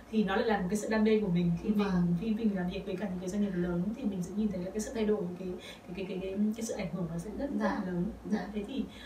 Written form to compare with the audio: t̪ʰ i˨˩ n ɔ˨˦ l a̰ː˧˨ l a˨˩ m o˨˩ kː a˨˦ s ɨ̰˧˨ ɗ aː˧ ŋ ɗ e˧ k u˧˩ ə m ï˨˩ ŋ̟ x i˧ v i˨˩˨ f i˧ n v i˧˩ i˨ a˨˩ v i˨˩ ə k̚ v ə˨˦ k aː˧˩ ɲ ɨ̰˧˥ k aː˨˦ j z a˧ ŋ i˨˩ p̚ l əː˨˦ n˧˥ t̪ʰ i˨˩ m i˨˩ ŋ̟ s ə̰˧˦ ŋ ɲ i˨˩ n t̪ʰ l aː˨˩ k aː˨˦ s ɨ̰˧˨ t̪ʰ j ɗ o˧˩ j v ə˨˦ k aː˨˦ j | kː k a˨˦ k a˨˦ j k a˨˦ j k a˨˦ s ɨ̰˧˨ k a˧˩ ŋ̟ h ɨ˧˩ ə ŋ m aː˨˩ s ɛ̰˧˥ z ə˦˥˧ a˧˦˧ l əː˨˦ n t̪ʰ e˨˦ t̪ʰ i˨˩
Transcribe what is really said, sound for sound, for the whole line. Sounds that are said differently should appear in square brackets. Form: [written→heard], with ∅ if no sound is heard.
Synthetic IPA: t̪ʰ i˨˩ n ɔ˨˦ l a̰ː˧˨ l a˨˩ m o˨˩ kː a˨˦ s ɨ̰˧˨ ɗ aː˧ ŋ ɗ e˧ k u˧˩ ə m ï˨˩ ŋ̟ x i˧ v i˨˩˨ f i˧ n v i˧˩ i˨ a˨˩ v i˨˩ ə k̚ v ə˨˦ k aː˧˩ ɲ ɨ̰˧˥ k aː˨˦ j z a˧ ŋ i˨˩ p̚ l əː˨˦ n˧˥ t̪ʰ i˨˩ m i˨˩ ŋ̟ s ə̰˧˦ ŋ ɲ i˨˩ n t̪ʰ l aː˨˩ k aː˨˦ s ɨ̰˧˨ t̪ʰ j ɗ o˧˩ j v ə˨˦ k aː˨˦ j | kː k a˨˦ k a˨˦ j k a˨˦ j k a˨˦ s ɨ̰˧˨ [k→ʔ] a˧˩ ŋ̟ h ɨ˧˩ ə ŋ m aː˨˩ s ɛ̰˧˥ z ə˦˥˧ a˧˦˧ l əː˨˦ n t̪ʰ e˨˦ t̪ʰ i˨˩